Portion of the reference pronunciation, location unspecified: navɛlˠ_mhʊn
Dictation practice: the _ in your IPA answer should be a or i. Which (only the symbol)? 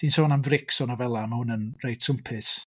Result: a